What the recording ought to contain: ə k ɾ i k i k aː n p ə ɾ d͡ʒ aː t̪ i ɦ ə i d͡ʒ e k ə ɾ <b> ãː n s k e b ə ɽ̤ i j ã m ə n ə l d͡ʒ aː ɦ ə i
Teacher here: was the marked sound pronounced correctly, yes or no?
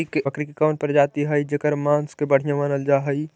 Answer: no